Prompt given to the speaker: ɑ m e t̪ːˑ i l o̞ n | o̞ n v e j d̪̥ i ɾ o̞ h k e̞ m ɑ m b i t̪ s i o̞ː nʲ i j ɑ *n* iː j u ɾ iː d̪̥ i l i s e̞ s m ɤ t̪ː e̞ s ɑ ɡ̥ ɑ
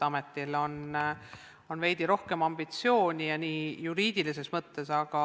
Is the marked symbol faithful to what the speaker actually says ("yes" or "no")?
yes